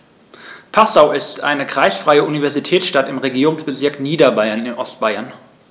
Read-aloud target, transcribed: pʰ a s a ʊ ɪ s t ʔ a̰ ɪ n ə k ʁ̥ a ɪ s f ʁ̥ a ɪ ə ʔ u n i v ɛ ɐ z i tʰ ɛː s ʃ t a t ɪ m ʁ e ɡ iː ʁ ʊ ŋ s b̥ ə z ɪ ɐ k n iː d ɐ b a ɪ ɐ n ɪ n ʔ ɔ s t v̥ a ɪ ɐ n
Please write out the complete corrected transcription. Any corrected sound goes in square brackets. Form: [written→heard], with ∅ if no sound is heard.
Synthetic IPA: pʰ a s a ʊ ɪ s t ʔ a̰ ɪ n ə k ʁ̥ a ɪ s f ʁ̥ a ɪ ə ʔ u n i v ɛ ɐ z i tʰ ɛː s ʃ t a t ɪ m ʁ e ɡ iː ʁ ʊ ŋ s b̥ ə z ɪ ɐ k n iː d ɐ b a ɪ ɐ n ɪ n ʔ ɔ s t [v̥→b̥] a ɪ ɐ n